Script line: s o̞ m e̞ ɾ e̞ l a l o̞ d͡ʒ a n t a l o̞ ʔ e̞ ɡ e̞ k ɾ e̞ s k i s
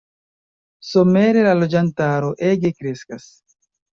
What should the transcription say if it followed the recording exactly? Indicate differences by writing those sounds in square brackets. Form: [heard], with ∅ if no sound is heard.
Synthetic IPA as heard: s o̞ m e̞ ɾ e̞ l a l o̞ d͡ʒ a n t a [ɾ] o̞ ʔ e̞ ɡ e̞ k ɾ e̞ s k [a] s